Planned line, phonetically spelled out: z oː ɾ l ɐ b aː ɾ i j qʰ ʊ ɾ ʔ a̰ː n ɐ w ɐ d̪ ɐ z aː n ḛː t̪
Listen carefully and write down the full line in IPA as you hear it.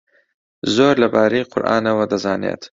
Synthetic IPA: z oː ɾ l ɐ b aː ɾ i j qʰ ʊ ɾ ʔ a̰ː n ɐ w ɐ d̪ ɐ z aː n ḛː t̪

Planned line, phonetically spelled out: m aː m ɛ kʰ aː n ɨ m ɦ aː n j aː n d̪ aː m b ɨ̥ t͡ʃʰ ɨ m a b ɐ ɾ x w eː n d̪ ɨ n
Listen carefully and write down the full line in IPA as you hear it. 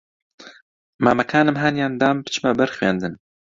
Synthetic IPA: m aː m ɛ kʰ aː n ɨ m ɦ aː n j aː n d̪ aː m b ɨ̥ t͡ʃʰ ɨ m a b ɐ ɾ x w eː n d̪ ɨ n

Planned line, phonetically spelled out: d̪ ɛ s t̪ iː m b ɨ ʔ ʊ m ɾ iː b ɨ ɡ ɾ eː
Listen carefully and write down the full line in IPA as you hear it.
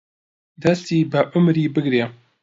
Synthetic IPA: d̪ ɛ s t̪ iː b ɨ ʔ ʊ m ɾ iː b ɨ ɡ ɾ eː

